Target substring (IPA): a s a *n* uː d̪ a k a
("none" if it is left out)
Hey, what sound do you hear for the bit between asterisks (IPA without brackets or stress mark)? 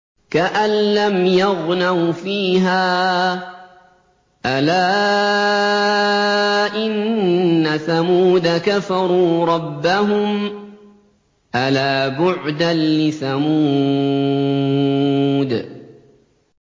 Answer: m